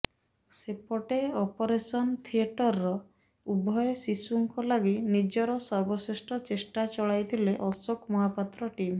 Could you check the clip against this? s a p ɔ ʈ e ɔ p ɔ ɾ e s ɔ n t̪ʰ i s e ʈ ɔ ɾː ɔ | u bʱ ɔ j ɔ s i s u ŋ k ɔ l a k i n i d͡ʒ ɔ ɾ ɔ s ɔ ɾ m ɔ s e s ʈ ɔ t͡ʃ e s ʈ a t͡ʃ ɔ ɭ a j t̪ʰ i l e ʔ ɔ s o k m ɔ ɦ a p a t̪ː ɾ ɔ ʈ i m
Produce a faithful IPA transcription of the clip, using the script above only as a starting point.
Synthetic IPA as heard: s e p ɔ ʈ e ɔ p ɔ ɾ e s ɔ n t̪ʰ i e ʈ ɔ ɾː ɔ | u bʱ ɔ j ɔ s i s u ŋ k ɔ l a ɡ i n i d͡ʒ ɔ ɾ ɔ s ɔ ɾ b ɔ s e s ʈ ɔ t͡ʃ e s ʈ a t͡ʃ ɔ ɭ a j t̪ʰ i l e ʔ ɔ s o k m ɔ ɦ a p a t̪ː ɾ ɔ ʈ i m